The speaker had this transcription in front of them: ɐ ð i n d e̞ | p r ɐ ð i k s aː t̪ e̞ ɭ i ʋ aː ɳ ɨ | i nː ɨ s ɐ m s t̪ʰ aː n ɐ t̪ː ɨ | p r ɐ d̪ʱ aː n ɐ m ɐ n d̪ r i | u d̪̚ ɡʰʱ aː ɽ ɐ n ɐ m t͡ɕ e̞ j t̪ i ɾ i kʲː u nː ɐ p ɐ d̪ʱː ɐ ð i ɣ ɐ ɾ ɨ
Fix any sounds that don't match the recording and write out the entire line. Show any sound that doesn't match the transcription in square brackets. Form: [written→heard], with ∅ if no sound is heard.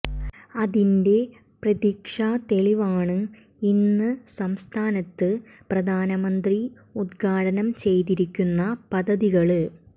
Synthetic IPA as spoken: ɐ ð i n d e̞ | p r ɐ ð i k [s→ʂ] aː t̪ e̞ ɭ i ʋ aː ɳ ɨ | i nː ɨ s ɐ m s t̪ʰ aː n ɐ t̪ː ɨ | p r ɐ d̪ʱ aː n ɐ m ɐ n d̪ r i | u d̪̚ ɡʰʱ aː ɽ ɐ n ɐ m t͡ɕ e̞ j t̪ i ɾ i kʲː u nː ɐ p ɐ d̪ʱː ɐ ð i ɣ ɐ [ɾ→ɭ] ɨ